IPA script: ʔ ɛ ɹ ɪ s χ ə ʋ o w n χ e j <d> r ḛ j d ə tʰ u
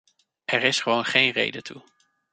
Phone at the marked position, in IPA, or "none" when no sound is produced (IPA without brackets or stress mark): n